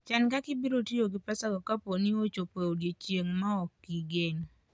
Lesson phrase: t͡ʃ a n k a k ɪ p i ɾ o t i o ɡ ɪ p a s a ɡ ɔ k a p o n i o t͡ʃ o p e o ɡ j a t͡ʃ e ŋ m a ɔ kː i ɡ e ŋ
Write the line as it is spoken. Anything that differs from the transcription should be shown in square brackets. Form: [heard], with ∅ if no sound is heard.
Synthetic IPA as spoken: t͡ʃ a n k a k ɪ [b] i ɾ o t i o ɡ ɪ p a s a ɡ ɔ k a p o n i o t͡ʃ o p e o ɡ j [e] t͡ʃ e ŋ m a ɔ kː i ɡ e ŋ

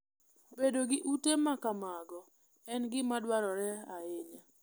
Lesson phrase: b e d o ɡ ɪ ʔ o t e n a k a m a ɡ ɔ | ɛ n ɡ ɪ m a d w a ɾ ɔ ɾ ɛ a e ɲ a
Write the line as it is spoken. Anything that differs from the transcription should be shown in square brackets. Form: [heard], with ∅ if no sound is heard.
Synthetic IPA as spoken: b e d o ɡ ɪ ʔ [u] t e [m] a k a m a ɡ ɔ | ɛ n ɡ ɪ m a d w a ɾ ɔ ɾ ɛ a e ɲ a

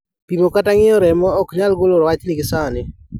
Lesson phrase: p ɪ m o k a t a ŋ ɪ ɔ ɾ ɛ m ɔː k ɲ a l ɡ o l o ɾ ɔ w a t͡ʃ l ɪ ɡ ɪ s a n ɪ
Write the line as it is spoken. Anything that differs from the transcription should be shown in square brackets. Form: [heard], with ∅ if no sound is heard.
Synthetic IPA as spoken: p [i] m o k a t a ŋ ɪ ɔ ɾ ɛ m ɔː k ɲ a l ɡ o l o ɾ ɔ w a t͡ʃ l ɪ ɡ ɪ s a n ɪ

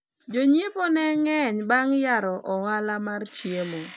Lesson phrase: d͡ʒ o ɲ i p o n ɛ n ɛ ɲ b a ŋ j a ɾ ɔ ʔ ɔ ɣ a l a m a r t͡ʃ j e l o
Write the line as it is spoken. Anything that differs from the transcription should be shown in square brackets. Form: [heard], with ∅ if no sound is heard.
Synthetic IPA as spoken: d͡ʒ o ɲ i p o n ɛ [ŋ] ɛ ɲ b a ŋ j a ɾ ɔ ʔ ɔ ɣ a l a m a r t͡ʃ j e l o

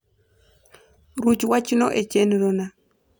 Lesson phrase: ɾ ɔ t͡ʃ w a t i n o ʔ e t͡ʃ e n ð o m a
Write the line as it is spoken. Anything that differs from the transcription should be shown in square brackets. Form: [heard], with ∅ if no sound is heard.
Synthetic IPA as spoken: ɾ [u] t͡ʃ w a [t͡ʃ] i n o ʔ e t͡ʃ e n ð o [n] a

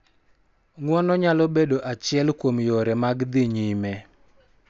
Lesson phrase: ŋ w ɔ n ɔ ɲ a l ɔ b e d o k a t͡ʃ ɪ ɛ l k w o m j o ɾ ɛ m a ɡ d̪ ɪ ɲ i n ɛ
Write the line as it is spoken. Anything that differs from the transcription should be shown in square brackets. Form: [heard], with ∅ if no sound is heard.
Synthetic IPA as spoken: ŋ w ɔ n ɔ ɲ a l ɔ b e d o [ʔ] a t͡ʃ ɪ ɛ l k w o m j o ɾ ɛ m a ɡ d̪ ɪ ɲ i [m] ɛ

